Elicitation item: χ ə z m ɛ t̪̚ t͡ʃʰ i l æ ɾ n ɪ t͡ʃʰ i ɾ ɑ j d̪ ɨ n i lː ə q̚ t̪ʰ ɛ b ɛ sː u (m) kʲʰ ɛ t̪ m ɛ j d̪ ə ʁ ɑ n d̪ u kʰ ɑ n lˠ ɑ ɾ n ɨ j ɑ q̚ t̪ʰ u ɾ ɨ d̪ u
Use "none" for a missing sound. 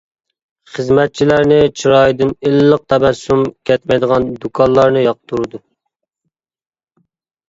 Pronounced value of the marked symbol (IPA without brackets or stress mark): m